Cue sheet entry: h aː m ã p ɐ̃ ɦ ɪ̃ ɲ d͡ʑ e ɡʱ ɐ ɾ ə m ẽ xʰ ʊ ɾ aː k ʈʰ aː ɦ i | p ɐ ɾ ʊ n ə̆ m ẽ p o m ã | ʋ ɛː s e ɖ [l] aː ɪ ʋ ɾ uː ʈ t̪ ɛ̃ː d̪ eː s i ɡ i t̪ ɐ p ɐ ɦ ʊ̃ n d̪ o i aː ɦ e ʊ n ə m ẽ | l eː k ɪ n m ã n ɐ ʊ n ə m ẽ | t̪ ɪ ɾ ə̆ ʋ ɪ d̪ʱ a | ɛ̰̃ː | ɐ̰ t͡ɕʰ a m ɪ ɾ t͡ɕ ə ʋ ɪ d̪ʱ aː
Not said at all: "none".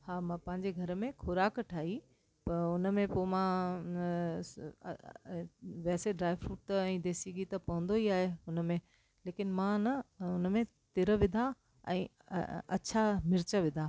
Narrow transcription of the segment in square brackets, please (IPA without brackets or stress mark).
ɾ